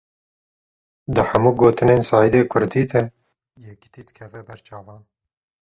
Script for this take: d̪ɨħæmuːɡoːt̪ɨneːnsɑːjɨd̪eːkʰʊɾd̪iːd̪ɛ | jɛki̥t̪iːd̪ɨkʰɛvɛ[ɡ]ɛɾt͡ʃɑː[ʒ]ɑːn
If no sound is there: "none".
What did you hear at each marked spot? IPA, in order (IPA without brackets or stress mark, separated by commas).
b, v